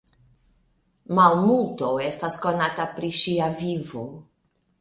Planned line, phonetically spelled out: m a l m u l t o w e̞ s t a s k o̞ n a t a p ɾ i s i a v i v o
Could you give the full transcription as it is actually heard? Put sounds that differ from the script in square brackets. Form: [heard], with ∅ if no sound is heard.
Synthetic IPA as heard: m a l m u l t o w e̞ s t a s k o̞ n a t a p ɾ i [ʃ] i a v i v o